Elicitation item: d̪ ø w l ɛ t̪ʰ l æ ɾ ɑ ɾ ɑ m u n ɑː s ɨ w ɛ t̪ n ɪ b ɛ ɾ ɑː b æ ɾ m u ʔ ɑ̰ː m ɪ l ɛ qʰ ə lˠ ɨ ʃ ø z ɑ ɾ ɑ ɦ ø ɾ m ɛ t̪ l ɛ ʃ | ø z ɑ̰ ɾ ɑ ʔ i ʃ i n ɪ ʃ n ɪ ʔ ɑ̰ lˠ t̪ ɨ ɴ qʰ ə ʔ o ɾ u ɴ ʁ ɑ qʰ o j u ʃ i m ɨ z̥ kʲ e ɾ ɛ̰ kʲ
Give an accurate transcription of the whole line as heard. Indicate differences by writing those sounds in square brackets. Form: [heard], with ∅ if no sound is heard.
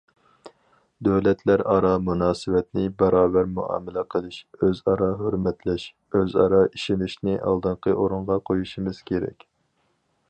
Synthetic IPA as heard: d̪ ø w l ɛ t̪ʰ l æ ɾ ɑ ɾ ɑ m u n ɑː s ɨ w ɛ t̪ n ɪ b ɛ ɾ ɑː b æ ɾ m u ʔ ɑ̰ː m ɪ l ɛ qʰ ə lˠ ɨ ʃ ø z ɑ ɾ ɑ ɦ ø ɾ m ɛ t̪ l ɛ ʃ | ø z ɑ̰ ɾ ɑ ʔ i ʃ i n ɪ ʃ n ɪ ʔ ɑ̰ lˠ [d̪] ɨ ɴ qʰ ə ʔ o ɾ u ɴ ʁ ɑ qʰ o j u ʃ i m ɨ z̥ kʲ e ɾ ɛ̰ kʲ